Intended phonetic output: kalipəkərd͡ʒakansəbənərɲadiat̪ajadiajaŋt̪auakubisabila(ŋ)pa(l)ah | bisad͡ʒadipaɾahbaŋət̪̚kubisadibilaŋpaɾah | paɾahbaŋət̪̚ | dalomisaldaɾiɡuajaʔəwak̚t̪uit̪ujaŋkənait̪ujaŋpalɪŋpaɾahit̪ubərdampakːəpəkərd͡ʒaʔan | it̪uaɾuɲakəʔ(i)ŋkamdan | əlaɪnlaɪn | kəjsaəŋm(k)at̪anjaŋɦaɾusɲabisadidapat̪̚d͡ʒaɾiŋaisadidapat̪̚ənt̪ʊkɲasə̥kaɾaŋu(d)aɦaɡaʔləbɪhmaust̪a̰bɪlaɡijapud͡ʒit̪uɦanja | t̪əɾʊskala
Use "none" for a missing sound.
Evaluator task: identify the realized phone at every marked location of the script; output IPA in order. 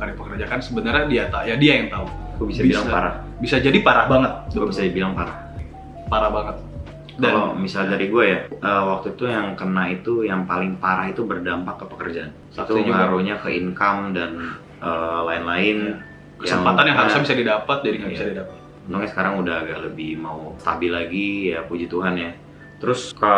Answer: ŋ, ɾ, i, p, d

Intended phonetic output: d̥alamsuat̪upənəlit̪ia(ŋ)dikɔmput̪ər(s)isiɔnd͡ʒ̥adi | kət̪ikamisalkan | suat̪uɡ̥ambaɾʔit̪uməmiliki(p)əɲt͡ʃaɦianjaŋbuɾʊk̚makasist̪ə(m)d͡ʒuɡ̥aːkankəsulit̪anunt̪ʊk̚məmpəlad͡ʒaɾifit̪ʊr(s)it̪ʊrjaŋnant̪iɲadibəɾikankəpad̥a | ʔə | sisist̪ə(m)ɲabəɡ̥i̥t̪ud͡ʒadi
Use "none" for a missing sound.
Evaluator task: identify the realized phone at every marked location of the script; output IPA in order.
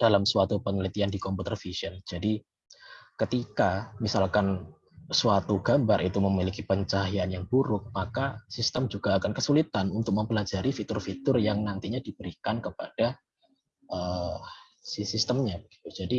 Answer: n, f, p, m, f, m

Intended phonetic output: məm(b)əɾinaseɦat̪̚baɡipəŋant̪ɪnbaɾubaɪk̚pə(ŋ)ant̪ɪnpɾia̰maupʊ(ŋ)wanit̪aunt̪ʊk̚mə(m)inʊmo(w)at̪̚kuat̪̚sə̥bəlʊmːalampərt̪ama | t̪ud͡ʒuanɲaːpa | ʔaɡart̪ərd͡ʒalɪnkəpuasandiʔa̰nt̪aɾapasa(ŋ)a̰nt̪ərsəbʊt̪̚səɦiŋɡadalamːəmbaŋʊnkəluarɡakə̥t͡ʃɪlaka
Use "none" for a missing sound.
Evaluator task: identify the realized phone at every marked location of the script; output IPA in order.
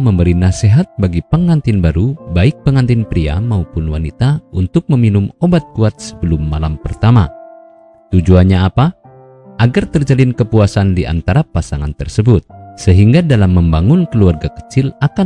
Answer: b, ŋ, n, m, b, ŋ

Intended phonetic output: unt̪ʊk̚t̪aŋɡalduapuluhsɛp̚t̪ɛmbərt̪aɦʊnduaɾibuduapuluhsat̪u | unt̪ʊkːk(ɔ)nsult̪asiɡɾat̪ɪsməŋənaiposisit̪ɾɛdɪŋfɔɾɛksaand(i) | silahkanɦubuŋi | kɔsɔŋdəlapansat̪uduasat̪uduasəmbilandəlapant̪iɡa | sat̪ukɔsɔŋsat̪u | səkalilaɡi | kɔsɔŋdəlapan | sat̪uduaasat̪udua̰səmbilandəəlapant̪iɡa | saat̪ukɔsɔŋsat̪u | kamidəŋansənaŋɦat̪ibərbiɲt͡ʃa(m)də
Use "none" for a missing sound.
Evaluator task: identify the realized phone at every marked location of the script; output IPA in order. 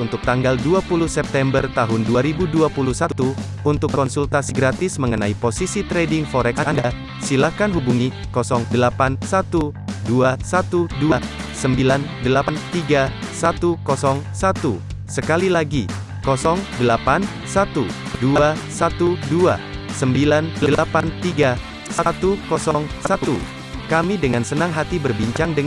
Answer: ɔ, a, ŋ

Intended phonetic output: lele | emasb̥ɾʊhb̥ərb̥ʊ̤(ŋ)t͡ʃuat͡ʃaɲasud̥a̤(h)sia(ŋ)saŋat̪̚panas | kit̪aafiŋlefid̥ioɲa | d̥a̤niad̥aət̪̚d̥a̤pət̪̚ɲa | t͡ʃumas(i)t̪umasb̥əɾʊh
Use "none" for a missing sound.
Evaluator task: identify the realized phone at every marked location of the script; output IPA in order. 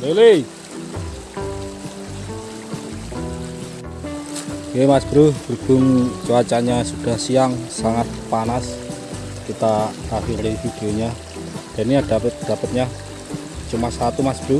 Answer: ŋ, h, ŋ, a

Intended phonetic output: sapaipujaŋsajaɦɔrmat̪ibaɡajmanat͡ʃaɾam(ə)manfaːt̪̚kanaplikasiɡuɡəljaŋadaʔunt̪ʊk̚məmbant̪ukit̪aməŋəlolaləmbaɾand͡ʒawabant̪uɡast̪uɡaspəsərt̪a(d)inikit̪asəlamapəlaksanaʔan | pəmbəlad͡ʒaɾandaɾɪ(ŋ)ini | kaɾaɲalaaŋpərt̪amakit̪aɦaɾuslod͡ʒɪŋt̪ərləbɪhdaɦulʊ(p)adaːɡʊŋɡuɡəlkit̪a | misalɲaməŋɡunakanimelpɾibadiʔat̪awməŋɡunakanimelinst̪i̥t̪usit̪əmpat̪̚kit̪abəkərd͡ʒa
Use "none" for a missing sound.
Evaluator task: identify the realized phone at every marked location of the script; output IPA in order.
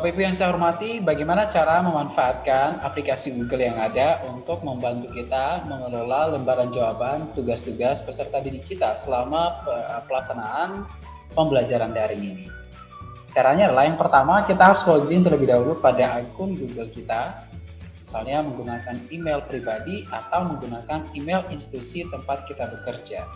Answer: ə, d, ŋ, p

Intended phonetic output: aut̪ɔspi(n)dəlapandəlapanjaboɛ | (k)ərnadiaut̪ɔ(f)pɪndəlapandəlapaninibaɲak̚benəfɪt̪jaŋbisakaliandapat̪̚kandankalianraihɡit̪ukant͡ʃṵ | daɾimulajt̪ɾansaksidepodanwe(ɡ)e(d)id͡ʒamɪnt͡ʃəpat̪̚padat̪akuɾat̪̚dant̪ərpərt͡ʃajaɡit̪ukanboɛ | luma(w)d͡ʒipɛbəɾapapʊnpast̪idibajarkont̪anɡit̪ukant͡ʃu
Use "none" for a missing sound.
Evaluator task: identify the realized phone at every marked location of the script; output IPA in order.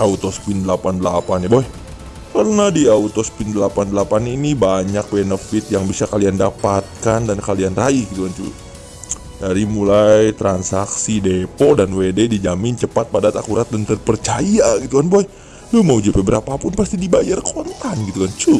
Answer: n, k, s, d, d, u

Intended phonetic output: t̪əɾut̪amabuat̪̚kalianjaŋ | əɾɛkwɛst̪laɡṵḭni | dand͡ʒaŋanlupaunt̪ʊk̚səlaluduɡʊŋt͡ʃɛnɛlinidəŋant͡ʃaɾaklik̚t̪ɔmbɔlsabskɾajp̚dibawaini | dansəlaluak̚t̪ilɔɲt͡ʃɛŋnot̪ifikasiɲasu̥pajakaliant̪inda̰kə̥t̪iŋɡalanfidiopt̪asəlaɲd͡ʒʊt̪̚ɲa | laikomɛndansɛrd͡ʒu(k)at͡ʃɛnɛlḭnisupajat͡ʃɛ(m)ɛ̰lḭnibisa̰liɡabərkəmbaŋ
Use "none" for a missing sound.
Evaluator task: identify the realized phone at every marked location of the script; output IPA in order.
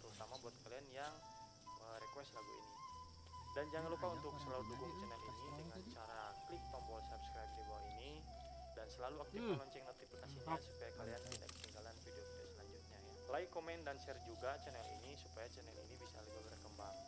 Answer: ɡ, n

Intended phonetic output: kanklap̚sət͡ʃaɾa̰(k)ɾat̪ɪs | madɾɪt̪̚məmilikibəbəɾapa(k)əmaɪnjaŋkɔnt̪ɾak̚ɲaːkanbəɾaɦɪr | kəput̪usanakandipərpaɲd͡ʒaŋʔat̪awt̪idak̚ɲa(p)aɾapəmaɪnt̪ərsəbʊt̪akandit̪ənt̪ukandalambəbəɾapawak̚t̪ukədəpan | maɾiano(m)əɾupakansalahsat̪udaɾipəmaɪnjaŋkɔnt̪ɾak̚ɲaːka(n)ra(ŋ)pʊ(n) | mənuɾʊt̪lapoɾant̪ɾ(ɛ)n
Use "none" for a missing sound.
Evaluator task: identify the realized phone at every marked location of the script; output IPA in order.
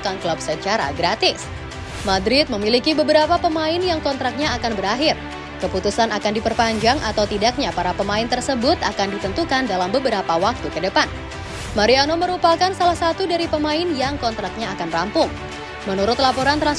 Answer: ɡ, p, p, m, n, m, ŋ, a

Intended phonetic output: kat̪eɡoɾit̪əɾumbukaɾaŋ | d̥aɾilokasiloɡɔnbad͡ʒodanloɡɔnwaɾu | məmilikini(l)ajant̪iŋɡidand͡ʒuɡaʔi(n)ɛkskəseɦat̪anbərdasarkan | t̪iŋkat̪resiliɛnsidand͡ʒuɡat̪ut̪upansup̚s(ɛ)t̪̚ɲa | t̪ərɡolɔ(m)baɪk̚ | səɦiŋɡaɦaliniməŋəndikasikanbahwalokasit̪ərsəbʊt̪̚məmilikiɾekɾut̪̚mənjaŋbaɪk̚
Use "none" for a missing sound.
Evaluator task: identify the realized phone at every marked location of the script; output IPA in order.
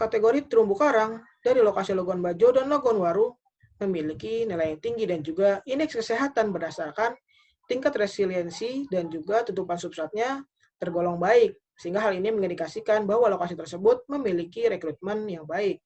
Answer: l, n, a, ŋ

